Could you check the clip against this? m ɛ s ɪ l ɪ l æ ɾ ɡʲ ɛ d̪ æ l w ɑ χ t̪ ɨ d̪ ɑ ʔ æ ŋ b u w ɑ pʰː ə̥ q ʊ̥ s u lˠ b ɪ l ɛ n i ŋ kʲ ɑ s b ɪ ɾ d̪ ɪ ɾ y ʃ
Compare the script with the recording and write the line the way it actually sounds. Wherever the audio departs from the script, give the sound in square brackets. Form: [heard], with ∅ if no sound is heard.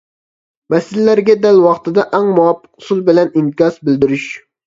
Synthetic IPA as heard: m ɛ s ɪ l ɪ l æ ɾ ɡʲ ɛ d̪ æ l w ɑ χ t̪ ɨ d̪ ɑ ʔ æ ŋ [m] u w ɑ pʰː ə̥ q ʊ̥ s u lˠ b ɪ l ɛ n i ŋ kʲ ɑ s b ɪ [l] d̪ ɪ ɾ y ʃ